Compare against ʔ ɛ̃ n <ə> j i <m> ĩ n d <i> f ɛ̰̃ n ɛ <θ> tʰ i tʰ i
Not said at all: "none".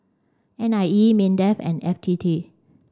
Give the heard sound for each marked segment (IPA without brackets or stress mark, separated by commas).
a, m, ɛ, f